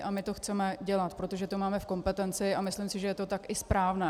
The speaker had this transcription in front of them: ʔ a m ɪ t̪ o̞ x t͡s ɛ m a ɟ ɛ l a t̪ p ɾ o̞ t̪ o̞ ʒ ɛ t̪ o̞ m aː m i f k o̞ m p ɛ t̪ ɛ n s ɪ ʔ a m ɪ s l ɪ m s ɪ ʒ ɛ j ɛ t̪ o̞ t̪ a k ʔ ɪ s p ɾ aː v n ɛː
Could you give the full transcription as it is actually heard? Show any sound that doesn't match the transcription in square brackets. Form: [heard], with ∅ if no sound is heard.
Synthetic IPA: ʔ a m ɪ t̪ o̞ x t͡s ɛ m [ɛ] ɟ ɛ l a t̪ p ɾ o̞ t̪ o̞ ʒ ɛ t̪ o̞ m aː m [ɛ] f k o̞ m p ɛ t̪ ɛ n [t͡s] ɪ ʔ a m ɪ s l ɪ m s ɪ ʒ ɛ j ɛ t̪ o̞ t̪ a k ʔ ɪ s p ɾ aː v n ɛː